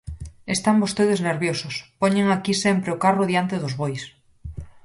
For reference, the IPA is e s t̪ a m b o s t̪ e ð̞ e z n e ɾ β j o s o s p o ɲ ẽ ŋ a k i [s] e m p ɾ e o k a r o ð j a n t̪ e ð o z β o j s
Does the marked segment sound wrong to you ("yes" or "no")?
no